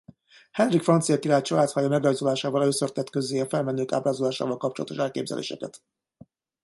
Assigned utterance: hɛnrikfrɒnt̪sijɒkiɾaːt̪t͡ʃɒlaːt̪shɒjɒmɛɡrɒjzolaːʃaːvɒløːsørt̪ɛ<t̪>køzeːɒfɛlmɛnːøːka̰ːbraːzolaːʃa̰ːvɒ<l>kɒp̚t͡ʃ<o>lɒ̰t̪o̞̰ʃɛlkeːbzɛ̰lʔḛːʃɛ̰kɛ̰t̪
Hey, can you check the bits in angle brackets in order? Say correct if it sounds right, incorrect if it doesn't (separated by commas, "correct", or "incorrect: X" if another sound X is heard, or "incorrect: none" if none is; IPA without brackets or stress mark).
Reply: correct, correct, correct